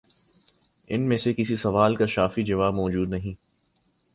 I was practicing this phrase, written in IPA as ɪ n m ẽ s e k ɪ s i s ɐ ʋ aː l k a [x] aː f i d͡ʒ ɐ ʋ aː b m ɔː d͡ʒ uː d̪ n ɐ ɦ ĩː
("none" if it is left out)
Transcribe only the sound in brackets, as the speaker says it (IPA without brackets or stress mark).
ʃ